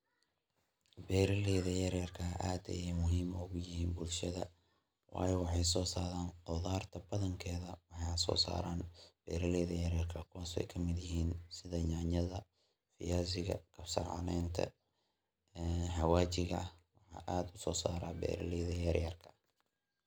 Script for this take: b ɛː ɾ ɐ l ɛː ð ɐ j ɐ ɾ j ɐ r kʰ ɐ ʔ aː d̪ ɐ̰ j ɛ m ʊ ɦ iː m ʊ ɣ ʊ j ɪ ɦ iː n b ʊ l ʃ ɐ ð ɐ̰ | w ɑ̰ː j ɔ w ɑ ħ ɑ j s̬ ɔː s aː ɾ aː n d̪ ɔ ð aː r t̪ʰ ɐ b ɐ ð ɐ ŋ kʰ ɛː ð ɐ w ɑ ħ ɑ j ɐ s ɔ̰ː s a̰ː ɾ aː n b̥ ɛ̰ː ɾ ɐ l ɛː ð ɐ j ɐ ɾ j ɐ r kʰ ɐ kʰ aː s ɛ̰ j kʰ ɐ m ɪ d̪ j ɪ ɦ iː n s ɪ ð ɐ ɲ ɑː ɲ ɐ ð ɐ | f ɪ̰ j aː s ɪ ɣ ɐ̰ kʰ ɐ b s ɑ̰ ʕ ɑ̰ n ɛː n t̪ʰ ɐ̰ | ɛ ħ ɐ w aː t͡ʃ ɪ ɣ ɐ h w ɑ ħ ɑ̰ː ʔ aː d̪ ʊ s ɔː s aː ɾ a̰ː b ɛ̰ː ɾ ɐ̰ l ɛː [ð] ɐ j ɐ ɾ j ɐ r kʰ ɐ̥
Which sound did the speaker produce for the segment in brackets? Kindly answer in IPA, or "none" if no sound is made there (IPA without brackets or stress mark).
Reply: ð